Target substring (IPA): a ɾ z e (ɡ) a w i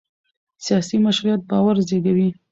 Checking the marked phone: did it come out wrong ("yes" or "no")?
no